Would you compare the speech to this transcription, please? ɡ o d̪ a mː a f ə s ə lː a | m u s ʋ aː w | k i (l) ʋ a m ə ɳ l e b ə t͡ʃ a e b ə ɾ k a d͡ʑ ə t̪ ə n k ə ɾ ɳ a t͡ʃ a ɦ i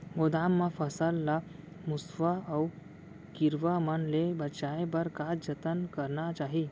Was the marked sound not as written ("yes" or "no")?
yes